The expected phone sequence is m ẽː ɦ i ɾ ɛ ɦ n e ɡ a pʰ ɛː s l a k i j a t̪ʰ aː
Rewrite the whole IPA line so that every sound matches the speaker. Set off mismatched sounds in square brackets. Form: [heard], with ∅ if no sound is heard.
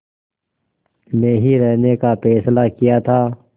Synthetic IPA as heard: m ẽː ɦ i ɾ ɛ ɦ n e [k] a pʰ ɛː s l a k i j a t̪ʰ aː